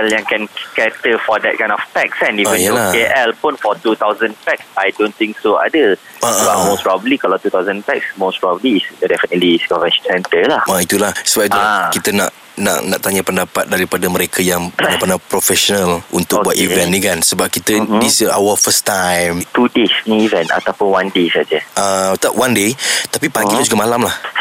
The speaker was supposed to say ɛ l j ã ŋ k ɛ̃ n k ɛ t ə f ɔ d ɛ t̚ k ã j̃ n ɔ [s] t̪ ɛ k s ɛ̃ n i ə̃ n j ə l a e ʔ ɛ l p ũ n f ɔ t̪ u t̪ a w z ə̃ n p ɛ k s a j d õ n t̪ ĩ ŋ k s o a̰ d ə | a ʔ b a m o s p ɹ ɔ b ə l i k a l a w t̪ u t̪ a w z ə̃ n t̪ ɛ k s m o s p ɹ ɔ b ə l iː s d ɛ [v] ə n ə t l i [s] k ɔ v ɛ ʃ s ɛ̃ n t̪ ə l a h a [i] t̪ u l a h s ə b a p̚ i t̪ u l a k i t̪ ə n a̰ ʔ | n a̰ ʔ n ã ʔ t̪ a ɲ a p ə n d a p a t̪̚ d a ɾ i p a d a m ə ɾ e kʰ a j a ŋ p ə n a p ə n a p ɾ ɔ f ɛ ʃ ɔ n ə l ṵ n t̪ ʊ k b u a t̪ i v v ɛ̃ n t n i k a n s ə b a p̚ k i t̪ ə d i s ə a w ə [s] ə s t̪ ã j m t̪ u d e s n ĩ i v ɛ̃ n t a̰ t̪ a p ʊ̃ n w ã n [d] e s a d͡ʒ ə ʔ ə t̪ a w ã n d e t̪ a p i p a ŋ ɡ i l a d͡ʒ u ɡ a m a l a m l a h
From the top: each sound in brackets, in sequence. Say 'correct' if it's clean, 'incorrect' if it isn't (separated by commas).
incorrect, incorrect, correct, correct, incorrect, correct